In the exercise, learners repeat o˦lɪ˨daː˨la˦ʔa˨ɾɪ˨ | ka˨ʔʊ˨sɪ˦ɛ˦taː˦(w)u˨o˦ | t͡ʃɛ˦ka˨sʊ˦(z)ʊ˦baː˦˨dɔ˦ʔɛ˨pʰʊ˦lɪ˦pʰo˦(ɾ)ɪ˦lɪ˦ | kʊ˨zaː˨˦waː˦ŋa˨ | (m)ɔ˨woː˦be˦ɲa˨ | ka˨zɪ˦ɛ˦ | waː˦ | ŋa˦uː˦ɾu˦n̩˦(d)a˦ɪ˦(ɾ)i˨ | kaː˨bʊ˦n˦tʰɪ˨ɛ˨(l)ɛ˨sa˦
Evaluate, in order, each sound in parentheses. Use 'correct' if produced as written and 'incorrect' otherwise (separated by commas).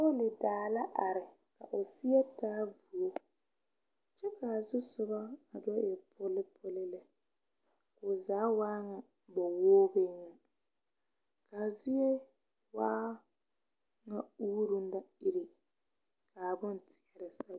incorrect, incorrect, incorrect, incorrect, correct, correct, incorrect